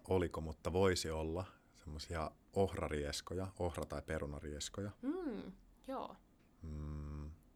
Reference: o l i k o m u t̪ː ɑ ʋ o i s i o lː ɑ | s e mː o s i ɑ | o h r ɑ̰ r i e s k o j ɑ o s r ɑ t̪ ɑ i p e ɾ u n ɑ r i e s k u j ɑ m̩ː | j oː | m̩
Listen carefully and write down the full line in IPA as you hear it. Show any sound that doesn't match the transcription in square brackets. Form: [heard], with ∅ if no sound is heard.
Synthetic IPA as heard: o l i k o m u t̪ː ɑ ʋ o i s i o lː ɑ | s e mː o s i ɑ | o h r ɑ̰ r i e s k o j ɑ o [h] r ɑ t̪ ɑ i p e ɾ u n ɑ r i e s k [o] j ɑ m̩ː | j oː | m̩